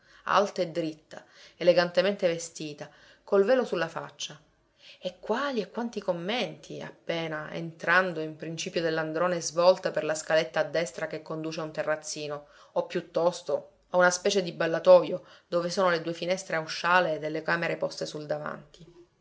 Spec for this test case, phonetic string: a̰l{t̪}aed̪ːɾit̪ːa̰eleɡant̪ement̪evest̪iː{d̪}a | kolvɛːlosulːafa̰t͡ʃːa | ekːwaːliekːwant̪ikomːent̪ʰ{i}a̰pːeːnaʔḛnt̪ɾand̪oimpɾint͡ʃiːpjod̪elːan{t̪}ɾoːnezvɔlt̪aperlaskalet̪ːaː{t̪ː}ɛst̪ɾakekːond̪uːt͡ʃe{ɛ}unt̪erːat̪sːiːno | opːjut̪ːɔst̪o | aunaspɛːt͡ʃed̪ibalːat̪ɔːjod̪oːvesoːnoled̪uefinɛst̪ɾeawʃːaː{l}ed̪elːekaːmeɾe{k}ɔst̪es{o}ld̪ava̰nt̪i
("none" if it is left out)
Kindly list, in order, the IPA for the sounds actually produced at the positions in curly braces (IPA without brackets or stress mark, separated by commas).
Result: t̪, t̪, i, d̪, d̪ː, a, l, p, u